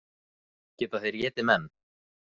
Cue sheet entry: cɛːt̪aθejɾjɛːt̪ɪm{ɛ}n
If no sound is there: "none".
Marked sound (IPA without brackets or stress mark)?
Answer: ɛ